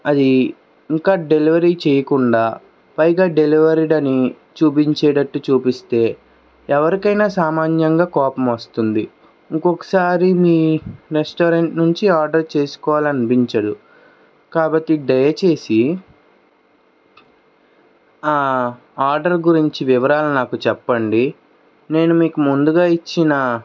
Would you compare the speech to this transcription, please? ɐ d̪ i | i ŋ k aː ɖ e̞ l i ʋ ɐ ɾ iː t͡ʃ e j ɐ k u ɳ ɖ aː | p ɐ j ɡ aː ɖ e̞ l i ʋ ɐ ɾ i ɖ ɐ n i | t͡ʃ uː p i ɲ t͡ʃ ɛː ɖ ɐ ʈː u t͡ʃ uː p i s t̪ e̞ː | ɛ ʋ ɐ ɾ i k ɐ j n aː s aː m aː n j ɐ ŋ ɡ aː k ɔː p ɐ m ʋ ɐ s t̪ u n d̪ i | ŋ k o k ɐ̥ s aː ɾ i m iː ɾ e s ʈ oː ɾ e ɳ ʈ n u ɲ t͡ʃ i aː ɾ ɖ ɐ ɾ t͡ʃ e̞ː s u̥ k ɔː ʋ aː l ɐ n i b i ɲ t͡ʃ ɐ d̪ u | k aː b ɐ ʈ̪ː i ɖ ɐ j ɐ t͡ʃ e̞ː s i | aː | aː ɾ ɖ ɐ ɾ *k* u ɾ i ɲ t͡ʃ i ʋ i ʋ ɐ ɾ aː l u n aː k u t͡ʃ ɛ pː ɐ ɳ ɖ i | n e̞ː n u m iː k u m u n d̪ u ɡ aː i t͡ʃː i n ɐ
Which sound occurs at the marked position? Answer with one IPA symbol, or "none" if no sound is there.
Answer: ɡ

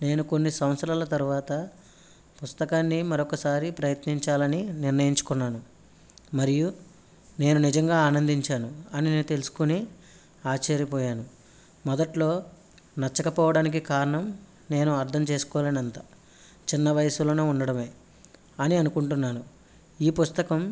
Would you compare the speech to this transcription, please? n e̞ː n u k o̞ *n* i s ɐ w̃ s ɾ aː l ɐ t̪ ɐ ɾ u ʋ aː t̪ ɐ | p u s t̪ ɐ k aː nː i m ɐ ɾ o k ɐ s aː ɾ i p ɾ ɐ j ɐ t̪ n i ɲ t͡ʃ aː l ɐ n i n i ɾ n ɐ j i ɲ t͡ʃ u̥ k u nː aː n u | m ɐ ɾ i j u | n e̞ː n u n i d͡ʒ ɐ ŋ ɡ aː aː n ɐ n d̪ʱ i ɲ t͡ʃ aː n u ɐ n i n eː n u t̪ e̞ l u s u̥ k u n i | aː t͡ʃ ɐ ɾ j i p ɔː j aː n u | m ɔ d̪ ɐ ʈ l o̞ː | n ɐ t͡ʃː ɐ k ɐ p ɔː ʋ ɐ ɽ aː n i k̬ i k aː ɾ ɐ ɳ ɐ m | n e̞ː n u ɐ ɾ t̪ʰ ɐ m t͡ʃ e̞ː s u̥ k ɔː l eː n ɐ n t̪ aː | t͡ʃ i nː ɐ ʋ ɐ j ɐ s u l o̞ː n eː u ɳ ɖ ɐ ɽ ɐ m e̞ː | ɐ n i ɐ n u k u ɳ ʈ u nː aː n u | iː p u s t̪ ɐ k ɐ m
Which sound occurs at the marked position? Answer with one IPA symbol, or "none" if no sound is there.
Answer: nː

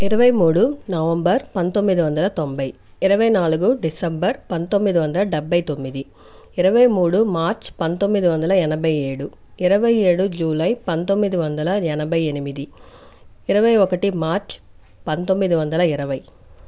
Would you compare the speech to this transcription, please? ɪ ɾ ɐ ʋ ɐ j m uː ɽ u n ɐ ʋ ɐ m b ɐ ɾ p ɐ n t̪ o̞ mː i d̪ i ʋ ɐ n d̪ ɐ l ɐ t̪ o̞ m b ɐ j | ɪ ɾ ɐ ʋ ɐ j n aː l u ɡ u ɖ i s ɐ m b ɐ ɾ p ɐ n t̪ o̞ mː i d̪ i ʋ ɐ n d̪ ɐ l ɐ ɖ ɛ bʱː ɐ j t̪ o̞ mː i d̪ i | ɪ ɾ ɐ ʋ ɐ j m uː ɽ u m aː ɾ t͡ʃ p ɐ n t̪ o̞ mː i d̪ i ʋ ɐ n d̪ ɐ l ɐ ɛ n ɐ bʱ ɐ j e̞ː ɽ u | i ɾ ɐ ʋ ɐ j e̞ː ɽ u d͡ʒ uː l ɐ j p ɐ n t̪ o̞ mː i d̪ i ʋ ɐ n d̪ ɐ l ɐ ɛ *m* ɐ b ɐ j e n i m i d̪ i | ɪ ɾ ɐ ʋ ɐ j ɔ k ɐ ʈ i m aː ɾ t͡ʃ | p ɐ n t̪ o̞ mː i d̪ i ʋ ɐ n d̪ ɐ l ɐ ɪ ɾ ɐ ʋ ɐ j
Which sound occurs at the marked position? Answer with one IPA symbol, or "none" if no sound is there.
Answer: n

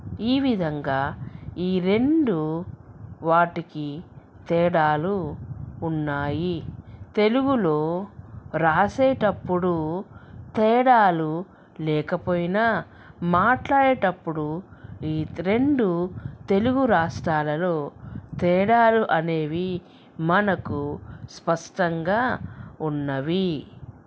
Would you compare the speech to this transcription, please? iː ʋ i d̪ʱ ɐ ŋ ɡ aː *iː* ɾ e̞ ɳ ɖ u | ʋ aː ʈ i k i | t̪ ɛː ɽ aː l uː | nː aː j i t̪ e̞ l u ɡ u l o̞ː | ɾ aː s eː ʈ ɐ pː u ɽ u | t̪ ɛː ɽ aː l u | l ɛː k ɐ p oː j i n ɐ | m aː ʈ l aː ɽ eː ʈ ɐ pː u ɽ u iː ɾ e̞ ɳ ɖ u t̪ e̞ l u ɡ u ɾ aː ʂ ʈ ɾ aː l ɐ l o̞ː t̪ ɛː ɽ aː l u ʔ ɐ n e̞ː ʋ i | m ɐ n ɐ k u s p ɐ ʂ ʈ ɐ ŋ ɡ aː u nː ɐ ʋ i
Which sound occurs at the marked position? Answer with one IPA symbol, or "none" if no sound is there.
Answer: iː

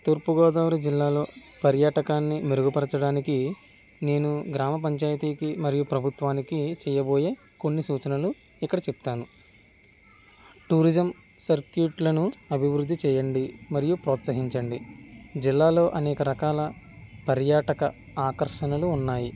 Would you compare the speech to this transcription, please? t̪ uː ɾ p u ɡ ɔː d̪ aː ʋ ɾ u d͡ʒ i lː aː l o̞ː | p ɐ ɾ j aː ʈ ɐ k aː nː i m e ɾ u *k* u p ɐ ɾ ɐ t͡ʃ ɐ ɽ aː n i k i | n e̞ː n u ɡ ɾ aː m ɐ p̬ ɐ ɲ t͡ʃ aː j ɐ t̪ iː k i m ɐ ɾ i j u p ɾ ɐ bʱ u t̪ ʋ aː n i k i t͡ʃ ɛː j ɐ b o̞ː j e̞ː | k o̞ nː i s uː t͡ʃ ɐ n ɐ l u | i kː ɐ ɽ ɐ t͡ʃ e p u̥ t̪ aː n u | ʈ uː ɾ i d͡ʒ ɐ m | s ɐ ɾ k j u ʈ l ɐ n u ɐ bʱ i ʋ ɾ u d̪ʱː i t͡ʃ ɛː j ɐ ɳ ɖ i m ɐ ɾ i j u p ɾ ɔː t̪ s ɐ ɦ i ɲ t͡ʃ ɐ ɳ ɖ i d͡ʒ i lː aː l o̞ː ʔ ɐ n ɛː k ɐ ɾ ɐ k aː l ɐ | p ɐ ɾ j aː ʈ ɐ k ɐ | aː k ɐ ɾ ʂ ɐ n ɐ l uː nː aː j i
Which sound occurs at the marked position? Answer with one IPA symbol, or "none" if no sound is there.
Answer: ɡ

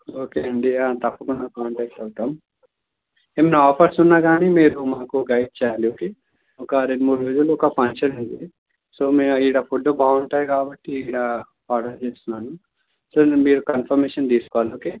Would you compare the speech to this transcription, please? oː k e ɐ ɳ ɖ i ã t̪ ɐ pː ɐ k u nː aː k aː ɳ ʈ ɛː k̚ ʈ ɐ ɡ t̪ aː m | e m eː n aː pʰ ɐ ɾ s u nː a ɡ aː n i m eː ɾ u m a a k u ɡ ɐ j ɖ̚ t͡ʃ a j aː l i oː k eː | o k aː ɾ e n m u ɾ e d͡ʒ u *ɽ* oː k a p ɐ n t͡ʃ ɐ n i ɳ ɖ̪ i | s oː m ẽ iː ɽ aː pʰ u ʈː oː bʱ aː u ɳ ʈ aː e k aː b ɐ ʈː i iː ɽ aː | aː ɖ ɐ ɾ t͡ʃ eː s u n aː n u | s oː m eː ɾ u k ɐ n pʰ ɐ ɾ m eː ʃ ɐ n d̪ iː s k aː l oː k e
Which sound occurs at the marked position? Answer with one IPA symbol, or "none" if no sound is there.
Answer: l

